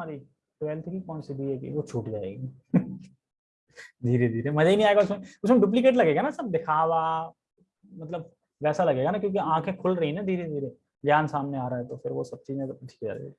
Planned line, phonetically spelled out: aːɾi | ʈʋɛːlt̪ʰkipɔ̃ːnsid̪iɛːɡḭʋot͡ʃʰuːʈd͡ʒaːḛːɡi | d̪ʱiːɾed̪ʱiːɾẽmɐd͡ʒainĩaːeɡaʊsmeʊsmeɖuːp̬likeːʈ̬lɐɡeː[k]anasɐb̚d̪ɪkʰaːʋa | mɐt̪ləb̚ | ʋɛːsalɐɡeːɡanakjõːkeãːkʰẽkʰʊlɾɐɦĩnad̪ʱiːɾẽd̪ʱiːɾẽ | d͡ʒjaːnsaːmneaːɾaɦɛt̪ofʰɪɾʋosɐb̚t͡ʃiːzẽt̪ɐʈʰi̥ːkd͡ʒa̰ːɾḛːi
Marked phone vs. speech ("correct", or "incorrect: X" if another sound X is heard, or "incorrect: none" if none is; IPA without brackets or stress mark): incorrect: ɡ